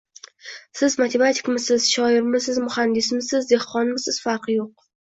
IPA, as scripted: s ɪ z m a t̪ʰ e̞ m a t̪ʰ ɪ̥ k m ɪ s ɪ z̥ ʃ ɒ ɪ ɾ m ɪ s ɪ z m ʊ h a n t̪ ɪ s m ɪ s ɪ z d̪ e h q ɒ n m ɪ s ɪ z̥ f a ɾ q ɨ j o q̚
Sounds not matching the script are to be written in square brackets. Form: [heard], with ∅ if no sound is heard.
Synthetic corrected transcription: s ɪ z m a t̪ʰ e̞ m a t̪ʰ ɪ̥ k m ɪ s ɪ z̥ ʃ ɒ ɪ ɾ m ɪ s ɪ z m ʊ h a n [d̪] ɪ s m ɪ s ɪ z d̪ e h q ɒ n m ɪ s ɪ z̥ f a ɾ q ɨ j o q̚